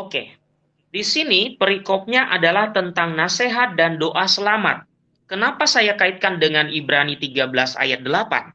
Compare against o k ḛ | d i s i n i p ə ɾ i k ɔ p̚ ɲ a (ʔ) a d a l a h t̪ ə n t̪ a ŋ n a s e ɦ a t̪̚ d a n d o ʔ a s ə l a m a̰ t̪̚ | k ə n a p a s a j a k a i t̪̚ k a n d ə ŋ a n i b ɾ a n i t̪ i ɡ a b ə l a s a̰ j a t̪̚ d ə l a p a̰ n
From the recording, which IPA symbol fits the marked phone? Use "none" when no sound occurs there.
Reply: ʔ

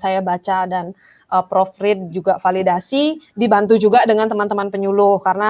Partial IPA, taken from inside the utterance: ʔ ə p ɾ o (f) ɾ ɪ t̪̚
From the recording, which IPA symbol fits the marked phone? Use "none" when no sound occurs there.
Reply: f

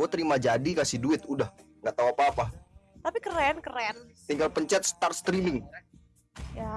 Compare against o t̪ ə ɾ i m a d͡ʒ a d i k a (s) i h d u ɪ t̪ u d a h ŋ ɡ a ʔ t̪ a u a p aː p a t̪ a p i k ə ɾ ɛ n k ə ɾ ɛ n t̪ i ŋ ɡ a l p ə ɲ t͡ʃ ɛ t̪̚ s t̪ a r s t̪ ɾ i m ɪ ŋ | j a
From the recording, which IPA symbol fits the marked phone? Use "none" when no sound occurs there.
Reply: s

